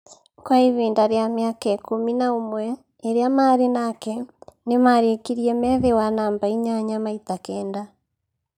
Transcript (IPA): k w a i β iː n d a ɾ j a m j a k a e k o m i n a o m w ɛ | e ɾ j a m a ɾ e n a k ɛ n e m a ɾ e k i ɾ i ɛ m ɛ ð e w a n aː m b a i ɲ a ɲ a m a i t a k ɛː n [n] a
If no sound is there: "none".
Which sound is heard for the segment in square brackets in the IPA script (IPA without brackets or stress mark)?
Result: d